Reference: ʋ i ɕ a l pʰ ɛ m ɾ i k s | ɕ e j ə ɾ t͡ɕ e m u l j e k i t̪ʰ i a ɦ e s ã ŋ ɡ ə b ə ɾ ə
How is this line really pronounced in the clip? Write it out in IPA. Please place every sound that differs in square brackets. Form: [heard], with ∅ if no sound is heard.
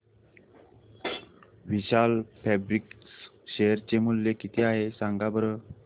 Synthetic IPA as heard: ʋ i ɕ a l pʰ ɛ [b] ɾ i k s | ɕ e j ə ɾ t͡ɕ e m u l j e k i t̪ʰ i a ɦ e s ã ŋ ɡ [a] b ə ɾ ə